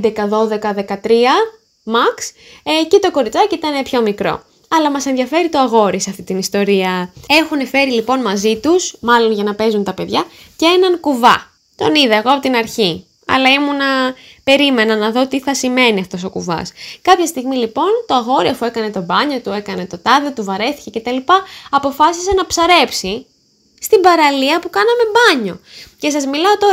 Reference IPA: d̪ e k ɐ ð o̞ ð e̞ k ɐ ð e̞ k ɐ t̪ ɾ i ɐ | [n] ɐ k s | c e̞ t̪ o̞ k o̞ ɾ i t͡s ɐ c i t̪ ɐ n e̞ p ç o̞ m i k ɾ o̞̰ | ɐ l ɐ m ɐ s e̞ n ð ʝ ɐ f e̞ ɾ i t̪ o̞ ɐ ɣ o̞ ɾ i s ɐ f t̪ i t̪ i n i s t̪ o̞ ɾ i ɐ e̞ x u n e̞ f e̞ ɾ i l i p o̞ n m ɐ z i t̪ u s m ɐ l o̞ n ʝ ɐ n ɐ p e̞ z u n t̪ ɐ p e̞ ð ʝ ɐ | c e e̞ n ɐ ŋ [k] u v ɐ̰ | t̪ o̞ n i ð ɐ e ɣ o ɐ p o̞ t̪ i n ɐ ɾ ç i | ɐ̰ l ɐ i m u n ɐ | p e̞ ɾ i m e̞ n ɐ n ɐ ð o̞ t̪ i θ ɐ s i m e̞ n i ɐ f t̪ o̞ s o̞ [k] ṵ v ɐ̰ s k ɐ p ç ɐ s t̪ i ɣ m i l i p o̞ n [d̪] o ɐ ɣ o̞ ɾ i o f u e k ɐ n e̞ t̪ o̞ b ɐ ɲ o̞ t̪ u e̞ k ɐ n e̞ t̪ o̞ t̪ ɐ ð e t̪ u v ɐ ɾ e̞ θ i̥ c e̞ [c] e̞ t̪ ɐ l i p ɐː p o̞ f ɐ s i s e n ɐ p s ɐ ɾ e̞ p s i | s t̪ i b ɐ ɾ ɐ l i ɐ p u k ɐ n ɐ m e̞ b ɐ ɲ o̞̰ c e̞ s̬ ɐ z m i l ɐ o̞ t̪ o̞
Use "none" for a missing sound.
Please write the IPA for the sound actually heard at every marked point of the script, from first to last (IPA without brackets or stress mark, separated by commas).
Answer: m, k, k, t̪, c